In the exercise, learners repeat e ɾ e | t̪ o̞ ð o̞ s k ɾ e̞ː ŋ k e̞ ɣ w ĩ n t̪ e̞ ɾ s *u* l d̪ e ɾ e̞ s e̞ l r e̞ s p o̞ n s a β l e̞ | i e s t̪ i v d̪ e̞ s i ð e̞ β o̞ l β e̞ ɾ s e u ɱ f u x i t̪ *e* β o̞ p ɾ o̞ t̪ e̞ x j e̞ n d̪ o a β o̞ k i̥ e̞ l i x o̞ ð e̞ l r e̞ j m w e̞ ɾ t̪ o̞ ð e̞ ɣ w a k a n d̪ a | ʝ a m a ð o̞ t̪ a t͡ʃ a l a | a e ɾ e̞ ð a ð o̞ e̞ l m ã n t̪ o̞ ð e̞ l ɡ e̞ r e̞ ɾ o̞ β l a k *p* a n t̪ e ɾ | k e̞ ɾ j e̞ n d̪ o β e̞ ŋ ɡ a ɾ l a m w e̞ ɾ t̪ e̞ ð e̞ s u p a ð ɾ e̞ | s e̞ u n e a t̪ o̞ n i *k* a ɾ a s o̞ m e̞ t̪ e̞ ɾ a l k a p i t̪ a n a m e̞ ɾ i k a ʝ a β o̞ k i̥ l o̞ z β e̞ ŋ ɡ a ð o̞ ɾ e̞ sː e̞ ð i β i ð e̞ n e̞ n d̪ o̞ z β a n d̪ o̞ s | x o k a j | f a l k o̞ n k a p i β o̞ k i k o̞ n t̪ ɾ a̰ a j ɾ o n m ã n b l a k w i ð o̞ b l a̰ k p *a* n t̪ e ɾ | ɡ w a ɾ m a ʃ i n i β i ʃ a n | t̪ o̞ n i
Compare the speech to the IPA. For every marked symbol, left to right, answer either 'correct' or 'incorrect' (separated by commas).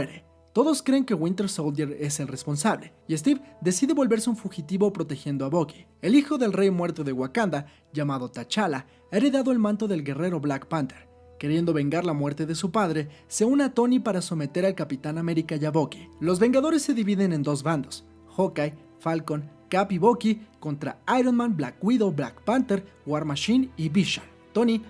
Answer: incorrect, incorrect, correct, incorrect, correct